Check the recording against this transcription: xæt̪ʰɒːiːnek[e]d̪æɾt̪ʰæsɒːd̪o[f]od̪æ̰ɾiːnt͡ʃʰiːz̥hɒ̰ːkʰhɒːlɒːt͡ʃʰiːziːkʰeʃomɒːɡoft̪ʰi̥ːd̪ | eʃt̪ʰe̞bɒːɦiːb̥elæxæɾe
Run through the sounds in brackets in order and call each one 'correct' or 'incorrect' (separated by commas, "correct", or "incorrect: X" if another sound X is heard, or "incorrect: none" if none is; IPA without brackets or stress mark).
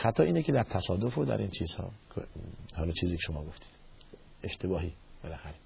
correct, correct